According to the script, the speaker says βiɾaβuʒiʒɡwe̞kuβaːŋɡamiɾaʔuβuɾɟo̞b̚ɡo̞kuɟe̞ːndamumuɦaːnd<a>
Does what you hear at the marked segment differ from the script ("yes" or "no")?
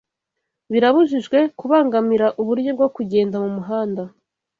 no